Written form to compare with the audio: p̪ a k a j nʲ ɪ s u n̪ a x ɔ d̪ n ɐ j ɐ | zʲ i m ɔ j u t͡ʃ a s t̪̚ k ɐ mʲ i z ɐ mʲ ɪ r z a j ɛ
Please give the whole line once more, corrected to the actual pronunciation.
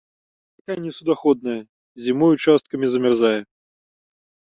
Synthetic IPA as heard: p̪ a k a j nʲ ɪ s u d̪ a x ɔ d̪ n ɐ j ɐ | zʲ i m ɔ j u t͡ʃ a s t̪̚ k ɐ mʲ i z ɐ mʲ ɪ r z a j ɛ